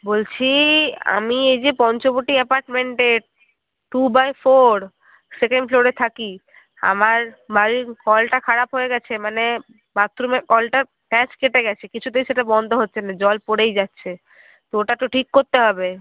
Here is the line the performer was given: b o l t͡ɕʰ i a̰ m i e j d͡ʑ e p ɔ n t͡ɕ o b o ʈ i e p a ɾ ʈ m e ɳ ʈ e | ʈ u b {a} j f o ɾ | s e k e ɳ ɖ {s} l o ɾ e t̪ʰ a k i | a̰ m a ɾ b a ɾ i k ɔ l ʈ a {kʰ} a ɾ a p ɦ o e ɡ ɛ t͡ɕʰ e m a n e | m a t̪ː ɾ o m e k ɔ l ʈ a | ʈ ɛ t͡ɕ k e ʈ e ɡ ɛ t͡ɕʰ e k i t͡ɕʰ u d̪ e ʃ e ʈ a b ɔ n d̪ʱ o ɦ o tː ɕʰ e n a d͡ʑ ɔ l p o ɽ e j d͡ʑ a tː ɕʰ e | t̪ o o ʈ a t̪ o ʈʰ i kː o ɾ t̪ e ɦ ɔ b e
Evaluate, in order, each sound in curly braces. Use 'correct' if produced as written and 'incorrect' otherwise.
correct, incorrect, correct

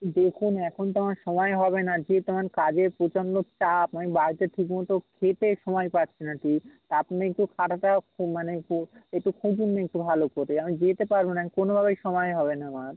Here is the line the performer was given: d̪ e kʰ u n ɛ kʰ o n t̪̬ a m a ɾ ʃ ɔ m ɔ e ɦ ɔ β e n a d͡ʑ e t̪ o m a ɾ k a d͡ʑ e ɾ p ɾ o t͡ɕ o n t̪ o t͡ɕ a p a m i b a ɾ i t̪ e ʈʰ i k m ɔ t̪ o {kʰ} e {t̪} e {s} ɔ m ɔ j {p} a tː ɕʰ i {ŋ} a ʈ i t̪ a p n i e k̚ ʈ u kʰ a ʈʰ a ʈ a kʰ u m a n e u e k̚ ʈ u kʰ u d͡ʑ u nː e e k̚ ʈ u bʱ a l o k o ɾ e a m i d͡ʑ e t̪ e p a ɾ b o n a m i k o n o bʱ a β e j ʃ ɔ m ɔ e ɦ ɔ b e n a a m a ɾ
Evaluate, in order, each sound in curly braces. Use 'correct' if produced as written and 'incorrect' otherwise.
correct, correct, incorrect, correct, incorrect

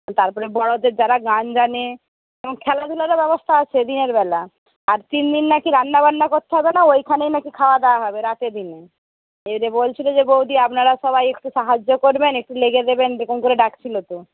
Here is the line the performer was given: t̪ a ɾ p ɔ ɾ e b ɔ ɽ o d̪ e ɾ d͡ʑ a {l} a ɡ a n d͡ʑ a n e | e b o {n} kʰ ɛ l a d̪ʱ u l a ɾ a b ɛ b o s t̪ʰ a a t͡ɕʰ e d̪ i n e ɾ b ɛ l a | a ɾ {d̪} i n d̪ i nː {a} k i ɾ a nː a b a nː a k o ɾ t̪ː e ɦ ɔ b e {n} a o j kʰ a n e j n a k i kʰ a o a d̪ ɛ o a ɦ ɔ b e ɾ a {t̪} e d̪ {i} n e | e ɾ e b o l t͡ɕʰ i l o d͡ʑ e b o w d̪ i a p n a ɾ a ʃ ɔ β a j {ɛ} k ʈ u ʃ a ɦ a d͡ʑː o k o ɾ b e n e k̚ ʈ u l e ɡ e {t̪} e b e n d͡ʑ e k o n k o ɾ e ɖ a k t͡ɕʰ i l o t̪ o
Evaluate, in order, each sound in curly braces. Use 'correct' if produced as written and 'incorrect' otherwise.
incorrect, incorrect, incorrect, correct, correct, correct, correct, incorrect, incorrect

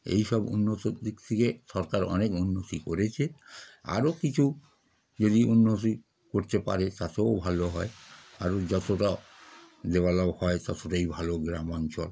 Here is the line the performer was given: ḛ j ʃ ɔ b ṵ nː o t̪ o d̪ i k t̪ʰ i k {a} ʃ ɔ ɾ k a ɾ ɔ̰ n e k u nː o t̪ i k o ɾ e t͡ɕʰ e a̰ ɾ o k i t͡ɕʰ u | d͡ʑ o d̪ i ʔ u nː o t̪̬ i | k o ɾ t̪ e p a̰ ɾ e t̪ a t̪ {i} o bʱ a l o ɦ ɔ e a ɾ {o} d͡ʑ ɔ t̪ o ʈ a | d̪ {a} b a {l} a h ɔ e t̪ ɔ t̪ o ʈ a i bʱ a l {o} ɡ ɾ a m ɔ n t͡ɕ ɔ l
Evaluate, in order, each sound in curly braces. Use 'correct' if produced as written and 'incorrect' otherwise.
incorrect, incorrect, correct, incorrect, correct, correct

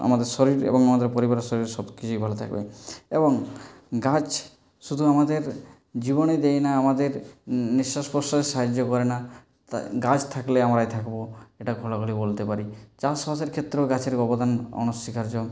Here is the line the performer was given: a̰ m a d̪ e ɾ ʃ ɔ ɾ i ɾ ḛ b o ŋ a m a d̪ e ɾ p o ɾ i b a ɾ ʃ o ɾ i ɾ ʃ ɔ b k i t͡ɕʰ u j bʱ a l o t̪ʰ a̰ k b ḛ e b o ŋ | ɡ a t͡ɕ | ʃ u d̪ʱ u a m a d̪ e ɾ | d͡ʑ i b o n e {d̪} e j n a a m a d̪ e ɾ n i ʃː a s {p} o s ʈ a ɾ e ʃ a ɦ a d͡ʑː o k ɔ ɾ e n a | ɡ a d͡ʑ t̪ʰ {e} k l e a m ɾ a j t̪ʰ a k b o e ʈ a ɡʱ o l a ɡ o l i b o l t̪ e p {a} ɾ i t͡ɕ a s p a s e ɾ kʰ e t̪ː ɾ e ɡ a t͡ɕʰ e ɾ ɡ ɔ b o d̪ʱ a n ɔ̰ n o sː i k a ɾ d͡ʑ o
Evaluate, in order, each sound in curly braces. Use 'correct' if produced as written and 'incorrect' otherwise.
correct, correct, incorrect, correct

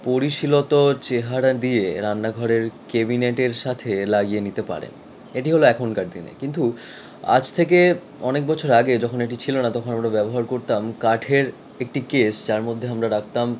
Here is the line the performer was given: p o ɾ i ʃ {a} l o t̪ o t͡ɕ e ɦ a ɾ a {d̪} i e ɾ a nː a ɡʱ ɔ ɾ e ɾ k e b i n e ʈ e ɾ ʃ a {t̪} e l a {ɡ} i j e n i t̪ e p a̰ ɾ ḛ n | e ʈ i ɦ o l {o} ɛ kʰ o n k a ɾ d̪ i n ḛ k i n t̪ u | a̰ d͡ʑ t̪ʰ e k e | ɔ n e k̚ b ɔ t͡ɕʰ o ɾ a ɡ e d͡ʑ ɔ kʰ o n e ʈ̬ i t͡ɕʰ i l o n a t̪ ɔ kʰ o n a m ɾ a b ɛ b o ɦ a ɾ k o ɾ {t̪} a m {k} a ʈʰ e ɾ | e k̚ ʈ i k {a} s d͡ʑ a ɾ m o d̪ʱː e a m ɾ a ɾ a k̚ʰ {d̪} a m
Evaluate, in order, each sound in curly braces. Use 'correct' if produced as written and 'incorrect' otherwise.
incorrect, correct, incorrect, correct, correct, correct, correct, incorrect, incorrect

